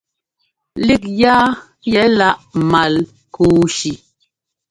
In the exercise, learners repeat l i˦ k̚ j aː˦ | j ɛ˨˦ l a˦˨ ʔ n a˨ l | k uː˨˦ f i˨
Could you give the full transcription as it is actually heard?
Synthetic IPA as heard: l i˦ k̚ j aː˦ | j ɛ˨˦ l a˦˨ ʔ m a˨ l | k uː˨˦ ʃ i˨